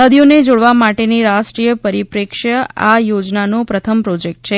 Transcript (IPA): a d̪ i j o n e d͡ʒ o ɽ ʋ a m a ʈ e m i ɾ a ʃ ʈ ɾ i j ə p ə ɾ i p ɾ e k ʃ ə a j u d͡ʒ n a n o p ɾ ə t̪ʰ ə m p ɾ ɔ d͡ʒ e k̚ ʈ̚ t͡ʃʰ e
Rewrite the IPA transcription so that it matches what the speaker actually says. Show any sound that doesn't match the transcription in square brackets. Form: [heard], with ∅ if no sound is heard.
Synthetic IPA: [ə] d̪ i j o n e d͡ʒ o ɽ ʋ a m a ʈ e [n] i ɾ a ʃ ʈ ɾ i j ə p ə ɾ i p ɾ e k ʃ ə a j [o] d͡ʒ n a n o p ɾ ə t̪ʰ ə m p ɾ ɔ d͡ʒ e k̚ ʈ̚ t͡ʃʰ e